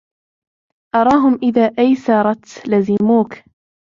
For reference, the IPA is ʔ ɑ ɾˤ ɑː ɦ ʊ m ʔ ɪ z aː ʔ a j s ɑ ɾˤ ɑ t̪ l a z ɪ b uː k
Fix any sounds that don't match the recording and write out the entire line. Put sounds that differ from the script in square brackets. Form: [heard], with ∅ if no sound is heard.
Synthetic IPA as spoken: ʔ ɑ ɾˤ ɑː ɦ ʊ m ʔ ɪ [ð] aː ʔ a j s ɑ ɾˤ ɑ t̪ l a z ɪ [m] uː k